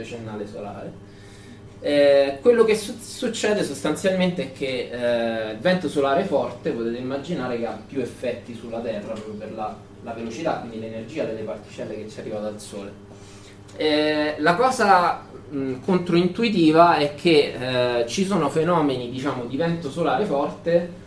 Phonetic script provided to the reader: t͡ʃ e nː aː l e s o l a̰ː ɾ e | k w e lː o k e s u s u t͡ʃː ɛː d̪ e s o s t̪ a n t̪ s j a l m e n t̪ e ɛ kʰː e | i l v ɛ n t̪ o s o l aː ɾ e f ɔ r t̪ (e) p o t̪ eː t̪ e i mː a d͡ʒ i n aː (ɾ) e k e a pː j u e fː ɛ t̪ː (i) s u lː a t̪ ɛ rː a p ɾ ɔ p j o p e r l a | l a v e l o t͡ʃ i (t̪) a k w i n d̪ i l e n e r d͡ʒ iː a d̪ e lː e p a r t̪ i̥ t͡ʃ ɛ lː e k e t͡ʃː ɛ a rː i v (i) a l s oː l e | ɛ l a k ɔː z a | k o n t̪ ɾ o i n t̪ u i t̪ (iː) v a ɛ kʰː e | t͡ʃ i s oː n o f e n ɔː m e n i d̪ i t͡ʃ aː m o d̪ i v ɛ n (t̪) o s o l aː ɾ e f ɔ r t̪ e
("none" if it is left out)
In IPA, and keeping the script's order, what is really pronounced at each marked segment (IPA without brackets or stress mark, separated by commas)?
e, ɾ, i, t̪, a, iː, t̪